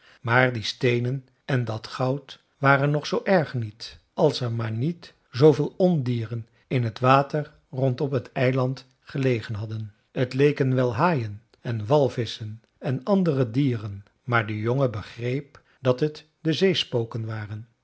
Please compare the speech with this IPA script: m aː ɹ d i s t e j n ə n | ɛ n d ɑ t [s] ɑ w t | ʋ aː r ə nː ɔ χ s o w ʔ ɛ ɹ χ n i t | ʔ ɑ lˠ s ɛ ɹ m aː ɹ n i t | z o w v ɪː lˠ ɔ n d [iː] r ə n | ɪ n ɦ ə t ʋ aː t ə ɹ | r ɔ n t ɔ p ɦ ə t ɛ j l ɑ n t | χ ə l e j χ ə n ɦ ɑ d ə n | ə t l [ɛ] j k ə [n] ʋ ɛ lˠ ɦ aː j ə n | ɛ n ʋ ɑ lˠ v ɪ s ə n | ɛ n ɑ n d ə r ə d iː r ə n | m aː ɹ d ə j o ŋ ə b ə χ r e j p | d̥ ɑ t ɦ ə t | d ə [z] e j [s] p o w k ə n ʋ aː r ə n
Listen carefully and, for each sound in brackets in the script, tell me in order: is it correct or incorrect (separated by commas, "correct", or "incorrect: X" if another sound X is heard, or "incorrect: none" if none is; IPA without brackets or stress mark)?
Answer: incorrect: χ, correct, incorrect: e, correct, correct, correct